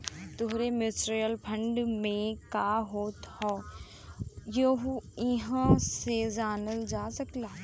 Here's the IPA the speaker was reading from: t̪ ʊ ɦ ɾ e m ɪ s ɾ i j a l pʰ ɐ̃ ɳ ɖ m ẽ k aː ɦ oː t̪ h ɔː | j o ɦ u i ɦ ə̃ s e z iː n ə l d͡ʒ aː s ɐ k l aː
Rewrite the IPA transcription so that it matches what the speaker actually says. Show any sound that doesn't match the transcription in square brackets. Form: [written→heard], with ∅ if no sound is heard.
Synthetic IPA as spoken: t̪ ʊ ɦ ɾ e m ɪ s ɾ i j [a→ə] l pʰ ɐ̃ ɳ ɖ m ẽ k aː ɦ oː t̪ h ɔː | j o ɦ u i ɦ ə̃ s e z [iː→aː] n ə l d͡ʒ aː s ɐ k l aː